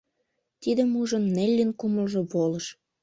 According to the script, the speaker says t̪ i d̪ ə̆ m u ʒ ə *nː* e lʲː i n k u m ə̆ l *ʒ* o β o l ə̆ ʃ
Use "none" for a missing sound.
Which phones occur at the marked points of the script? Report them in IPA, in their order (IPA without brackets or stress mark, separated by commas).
nː, ʒ